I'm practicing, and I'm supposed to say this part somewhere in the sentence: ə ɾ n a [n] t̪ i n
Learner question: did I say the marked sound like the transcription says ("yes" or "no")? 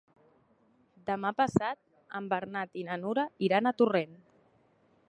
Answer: no